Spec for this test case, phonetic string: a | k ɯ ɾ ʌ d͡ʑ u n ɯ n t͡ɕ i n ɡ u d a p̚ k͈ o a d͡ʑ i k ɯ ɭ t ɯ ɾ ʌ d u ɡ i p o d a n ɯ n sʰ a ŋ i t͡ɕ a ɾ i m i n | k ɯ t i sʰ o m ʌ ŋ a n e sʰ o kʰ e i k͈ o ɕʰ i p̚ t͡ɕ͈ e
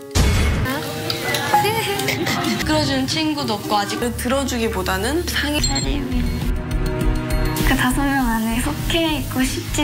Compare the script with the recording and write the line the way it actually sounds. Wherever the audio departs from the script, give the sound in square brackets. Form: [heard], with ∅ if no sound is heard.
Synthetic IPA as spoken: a | k ɯ ɾ ʌ d͡ʑ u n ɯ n [t͡ɕʰ] i n ɡ u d [ʌ] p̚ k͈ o a d͡ʑ i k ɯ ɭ t ɯ ɾ ʌ [d͡ʑ] u ɡ i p o d a n ɯ n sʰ a ŋ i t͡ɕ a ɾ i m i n | k ɯ t [a] sʰ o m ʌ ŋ a n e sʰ o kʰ e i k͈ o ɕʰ i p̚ t͡ɕ͈ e